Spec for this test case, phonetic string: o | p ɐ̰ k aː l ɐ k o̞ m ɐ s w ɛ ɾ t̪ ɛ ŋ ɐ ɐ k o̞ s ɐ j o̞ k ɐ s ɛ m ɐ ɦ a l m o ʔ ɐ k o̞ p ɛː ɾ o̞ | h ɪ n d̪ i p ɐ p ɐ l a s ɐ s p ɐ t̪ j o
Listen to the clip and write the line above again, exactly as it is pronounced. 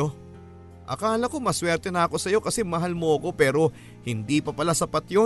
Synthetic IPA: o | ʔ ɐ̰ k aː l ɐ k o̞ m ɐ s w ɛ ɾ t̪ ɛ n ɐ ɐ k o̞ s ɐ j o̞ k ɐ s ɛ m ɐ ɦ a l m o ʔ ɐ k o̞ p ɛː ɾ o̞ | h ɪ n d̪ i p ɐ p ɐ l a s ɐ p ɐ t̪ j o